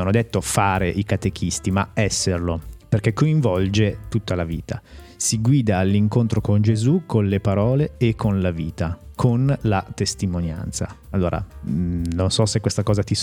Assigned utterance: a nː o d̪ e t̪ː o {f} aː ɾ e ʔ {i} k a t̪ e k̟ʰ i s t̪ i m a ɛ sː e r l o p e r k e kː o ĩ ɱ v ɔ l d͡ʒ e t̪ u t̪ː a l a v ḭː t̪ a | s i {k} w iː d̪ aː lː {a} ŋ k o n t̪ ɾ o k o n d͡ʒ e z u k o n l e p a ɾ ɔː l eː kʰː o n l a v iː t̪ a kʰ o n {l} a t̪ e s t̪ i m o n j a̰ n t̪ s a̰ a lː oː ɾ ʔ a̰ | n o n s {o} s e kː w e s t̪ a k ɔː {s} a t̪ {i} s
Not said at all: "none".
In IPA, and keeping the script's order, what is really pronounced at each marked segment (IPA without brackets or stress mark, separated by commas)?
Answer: f, i, ɡ, i, l, ɔ, z, i